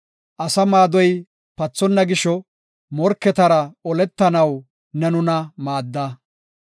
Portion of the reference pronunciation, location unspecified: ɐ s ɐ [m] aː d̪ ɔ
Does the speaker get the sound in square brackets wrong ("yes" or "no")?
no